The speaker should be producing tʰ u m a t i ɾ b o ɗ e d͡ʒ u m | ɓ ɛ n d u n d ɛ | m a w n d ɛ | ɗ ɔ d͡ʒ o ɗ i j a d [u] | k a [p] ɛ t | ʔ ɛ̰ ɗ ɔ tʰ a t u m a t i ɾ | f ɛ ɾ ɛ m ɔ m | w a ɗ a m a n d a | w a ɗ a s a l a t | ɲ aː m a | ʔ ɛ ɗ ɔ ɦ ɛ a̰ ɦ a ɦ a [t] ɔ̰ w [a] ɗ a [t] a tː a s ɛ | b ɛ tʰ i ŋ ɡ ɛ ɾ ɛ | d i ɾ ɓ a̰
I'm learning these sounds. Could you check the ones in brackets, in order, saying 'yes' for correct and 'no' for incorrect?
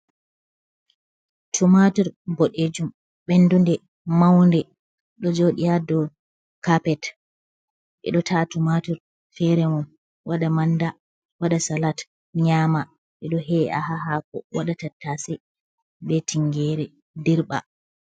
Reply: no, yes, no, yes, yes

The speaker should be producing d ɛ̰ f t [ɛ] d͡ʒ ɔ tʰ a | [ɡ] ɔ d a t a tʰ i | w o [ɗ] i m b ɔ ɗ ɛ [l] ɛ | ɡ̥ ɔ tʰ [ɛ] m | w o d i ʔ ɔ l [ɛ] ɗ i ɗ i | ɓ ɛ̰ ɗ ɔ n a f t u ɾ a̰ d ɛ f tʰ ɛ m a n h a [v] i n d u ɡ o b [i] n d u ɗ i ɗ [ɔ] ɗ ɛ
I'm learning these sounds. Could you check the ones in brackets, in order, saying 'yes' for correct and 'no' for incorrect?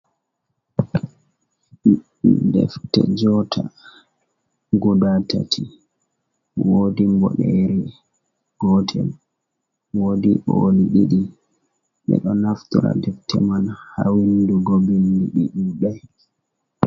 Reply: yes, yes, no, no, yes, no, no, yes, no

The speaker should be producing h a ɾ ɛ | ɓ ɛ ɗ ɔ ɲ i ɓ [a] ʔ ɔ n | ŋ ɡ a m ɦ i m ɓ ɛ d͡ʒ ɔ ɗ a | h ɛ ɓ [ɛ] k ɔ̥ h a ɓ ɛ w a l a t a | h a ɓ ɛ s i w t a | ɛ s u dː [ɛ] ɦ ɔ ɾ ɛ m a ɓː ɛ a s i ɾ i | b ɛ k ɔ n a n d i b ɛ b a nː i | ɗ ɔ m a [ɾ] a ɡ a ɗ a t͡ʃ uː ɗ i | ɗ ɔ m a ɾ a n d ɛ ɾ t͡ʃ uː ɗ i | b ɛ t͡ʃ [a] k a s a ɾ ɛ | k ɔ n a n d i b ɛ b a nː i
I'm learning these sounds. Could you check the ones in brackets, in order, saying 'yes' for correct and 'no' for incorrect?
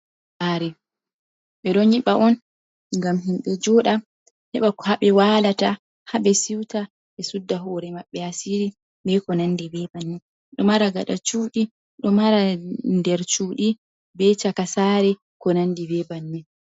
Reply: yes, no, no, yes, yes

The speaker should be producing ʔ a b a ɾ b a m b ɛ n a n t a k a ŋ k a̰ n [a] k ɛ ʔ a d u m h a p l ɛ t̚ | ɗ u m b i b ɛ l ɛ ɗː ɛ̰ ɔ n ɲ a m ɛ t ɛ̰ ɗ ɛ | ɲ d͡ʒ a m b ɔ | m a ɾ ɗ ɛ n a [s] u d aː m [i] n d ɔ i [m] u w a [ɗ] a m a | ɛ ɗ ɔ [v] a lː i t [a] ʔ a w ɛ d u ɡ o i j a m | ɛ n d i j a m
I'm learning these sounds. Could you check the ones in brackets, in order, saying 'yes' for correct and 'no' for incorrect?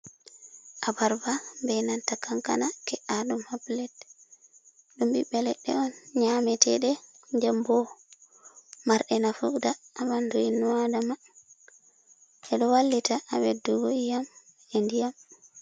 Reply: yes, no, no, no, no, no, yes

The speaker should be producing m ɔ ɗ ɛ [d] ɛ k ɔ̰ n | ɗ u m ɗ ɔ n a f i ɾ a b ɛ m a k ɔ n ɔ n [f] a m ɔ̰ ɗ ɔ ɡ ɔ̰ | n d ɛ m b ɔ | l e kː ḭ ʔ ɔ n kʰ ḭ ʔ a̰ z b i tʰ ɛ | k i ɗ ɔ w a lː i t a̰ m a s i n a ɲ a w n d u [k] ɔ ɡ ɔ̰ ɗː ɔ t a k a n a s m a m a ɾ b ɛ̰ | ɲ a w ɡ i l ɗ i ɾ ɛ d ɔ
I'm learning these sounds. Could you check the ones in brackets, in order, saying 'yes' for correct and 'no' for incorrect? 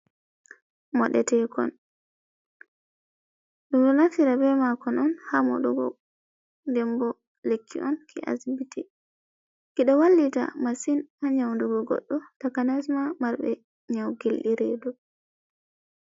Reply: no, no, no

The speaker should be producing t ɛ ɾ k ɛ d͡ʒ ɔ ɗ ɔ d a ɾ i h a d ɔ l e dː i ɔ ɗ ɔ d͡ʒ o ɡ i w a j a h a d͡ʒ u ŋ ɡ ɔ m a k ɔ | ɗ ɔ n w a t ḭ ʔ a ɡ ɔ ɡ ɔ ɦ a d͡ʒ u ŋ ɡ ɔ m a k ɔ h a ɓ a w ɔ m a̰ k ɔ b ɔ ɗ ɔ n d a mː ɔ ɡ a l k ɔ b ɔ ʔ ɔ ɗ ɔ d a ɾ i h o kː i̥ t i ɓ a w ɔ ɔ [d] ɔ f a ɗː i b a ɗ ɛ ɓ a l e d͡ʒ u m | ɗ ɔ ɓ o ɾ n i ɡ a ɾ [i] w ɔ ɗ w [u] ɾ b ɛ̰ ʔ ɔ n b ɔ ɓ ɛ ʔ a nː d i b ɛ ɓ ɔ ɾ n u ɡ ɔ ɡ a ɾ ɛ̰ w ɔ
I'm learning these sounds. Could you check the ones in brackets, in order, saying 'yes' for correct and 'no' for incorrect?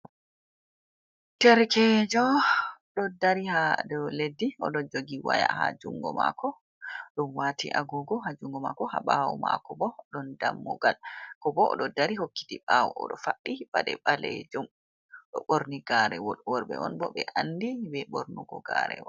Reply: no, no, no

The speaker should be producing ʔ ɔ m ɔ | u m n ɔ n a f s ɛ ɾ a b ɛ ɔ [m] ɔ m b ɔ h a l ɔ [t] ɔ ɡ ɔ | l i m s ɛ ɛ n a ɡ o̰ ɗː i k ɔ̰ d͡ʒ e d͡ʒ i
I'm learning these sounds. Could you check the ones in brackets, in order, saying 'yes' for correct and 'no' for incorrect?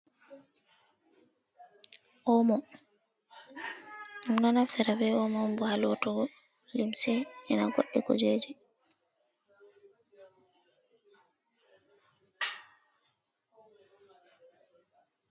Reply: yes, yes

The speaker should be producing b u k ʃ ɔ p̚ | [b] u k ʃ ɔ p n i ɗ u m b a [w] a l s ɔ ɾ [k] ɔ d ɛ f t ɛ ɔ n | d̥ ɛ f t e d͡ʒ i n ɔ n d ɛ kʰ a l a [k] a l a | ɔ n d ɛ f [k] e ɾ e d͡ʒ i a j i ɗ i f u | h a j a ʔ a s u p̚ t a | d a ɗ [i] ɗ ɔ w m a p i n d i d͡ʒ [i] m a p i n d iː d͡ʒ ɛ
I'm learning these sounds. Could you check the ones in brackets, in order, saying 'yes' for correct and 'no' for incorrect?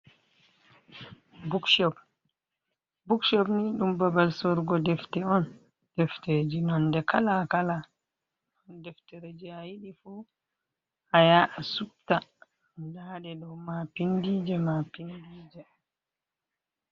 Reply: yes, no, no, yes, no, no, no

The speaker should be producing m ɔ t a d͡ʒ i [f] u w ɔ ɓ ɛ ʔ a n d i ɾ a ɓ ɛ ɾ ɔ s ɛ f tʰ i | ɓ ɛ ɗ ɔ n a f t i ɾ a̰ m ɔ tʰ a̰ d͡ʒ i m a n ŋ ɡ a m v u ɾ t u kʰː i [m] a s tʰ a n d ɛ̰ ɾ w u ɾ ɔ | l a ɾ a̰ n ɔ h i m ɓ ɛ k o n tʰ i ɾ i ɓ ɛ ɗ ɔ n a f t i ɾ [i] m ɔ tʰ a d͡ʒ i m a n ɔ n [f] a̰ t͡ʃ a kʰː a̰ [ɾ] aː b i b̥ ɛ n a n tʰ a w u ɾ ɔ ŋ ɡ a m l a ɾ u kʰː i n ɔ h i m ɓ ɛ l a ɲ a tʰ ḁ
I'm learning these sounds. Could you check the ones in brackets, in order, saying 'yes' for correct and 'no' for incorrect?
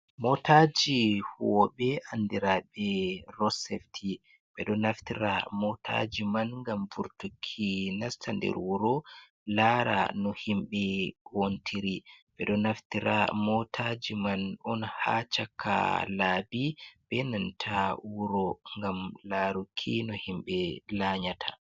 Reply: no, no, no, no, no

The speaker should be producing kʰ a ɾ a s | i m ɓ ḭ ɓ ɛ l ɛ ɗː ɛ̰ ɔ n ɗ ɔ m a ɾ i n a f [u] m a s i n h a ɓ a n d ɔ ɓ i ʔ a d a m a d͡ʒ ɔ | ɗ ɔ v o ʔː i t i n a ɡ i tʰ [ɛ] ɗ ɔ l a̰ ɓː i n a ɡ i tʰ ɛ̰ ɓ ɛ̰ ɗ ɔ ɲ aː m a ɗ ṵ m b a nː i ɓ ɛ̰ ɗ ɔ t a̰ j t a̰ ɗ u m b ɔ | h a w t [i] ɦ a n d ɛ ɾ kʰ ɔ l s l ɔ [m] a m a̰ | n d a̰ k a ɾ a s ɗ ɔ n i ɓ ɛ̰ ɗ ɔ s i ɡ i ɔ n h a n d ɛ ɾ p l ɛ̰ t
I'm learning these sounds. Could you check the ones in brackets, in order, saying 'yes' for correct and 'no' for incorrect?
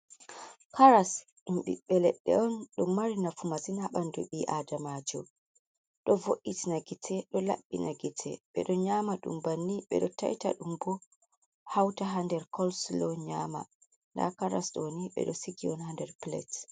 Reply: yes, yes, no, no

